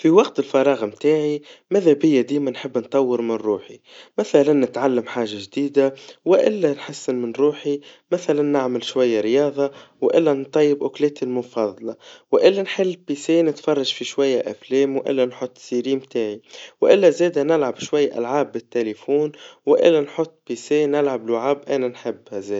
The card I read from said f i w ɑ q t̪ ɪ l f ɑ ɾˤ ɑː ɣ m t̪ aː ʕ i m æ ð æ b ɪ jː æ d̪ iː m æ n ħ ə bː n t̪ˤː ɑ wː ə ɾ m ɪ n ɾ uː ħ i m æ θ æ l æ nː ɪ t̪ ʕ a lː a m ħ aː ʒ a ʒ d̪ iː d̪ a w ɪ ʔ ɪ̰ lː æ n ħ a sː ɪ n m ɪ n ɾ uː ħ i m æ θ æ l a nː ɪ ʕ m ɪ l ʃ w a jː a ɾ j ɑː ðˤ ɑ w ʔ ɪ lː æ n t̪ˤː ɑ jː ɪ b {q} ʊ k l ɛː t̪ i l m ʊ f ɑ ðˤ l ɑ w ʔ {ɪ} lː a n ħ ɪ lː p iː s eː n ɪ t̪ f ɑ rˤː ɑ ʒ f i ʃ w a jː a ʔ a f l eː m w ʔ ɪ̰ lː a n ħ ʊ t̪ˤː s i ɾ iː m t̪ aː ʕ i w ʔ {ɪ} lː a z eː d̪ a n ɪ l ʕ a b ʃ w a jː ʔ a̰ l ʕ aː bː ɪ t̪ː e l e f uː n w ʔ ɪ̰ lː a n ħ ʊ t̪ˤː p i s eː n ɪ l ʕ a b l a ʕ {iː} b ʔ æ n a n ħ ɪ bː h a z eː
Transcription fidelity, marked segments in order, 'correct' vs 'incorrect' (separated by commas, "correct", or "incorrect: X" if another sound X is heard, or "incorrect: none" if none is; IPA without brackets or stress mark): incorrect: ʔ, correct, correct, incorrect: aː